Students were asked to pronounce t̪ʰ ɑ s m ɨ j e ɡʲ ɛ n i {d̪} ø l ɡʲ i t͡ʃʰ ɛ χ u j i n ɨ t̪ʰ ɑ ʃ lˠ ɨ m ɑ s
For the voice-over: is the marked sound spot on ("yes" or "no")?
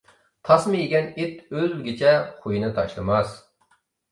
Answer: no